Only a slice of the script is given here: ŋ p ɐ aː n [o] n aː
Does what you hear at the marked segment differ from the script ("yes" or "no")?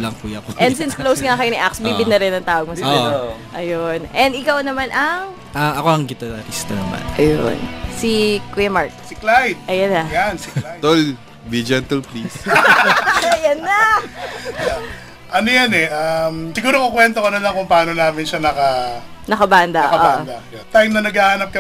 no